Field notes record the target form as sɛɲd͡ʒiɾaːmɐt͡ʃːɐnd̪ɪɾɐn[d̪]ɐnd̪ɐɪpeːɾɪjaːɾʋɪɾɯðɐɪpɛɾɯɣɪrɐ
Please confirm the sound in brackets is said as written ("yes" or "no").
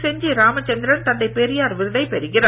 no